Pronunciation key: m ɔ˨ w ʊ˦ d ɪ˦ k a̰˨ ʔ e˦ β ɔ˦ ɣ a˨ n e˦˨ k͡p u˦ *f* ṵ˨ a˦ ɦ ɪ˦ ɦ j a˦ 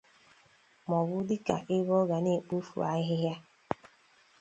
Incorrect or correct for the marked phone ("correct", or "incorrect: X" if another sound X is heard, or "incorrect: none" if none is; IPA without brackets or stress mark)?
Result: correct